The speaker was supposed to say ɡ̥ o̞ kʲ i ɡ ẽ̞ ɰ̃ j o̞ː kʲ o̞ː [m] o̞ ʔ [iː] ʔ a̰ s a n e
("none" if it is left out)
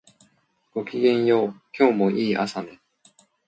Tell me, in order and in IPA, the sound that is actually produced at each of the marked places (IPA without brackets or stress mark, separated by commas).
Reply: m, iː